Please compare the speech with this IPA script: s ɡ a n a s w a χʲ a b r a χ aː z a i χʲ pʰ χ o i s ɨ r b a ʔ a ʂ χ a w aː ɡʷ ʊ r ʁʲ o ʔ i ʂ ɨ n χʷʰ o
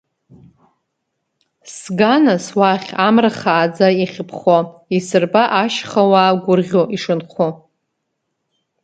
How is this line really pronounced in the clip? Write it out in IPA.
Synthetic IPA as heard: s ɡ a n a s w a χʲ a m r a χ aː d͡z a i χʲ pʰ χ o i s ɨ r b a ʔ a ʃ χ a w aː ɡʷ ʊ r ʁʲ o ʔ i ʂ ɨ n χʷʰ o